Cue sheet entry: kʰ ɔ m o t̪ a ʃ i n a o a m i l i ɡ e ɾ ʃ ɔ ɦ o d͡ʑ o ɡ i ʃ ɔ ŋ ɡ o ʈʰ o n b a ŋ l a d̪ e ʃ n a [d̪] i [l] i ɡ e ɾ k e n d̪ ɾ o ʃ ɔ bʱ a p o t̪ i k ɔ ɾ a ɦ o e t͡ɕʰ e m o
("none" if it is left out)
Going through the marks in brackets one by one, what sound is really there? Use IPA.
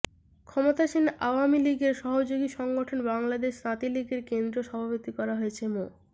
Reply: t̪, l

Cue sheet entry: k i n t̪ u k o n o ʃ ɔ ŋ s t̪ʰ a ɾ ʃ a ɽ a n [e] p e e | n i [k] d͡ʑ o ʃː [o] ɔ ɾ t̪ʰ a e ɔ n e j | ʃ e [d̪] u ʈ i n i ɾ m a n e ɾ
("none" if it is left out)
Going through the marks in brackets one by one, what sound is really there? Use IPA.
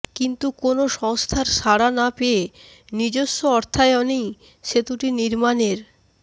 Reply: a, none, o, t̪

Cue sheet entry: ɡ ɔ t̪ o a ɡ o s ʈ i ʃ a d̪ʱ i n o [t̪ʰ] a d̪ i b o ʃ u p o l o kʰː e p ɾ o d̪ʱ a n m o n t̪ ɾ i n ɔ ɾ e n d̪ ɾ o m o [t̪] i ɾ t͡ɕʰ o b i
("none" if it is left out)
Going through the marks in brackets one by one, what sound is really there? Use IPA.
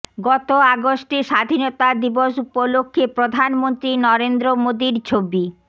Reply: t̪, d̪

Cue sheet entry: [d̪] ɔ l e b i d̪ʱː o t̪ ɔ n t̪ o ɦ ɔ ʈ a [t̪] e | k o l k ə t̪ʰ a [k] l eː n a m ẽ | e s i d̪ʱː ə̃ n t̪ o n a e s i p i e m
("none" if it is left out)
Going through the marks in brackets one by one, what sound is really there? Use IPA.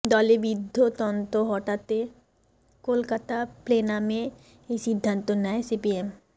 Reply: d̪, t̪, p

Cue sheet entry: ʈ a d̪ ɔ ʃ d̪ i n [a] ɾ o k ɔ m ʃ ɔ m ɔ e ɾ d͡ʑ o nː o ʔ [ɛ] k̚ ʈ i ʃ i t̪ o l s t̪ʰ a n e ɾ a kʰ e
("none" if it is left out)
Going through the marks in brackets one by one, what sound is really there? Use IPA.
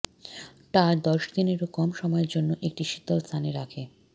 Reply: e, e

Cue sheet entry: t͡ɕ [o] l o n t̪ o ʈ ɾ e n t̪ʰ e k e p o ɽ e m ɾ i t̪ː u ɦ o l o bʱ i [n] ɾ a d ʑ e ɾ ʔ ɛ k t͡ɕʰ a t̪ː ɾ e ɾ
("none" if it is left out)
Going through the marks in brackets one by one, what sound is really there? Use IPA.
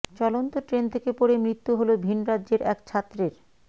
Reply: ɔ, n

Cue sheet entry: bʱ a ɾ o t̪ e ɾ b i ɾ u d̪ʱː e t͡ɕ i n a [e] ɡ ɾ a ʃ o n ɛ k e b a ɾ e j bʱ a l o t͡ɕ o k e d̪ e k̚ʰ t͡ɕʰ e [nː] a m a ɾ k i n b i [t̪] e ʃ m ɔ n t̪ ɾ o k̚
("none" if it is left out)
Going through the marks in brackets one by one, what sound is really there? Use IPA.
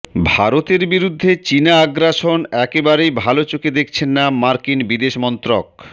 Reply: a, nː, d̪

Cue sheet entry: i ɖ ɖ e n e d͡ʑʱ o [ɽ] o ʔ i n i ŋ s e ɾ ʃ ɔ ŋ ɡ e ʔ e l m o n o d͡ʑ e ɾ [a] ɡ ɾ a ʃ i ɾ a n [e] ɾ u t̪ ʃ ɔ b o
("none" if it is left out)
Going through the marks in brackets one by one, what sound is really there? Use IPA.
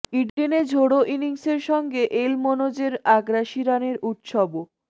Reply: ɽ, a, e

